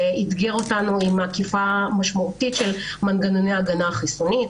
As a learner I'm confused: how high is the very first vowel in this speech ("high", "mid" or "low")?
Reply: high